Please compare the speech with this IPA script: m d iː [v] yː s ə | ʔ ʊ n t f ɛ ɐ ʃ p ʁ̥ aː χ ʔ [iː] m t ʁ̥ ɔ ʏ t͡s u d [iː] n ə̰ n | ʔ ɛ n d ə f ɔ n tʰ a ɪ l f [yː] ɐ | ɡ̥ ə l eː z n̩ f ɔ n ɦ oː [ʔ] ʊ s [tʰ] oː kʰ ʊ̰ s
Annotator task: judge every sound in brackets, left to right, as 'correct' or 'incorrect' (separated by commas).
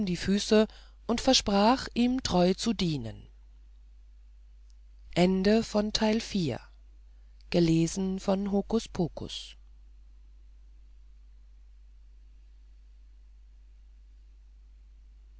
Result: incorrect, correct, correct, incorrect, incorrect, incorrect